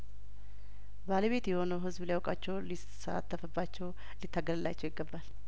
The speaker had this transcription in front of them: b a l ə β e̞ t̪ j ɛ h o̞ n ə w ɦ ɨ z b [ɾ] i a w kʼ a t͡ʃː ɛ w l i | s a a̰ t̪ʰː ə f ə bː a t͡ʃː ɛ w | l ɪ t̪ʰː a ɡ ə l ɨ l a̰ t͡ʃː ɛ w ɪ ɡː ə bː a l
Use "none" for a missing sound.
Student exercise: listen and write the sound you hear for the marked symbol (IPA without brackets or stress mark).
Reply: l